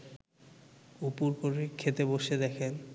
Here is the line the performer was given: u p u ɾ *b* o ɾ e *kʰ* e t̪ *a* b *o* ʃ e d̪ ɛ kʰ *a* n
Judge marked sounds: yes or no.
no, yes, no, yes, no

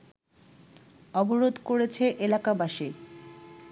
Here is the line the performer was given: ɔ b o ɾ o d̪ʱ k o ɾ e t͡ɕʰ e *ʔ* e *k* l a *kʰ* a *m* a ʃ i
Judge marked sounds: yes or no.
yes, no, no, no

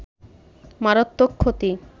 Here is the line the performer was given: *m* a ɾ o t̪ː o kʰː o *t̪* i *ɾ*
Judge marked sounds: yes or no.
yes, yes, no

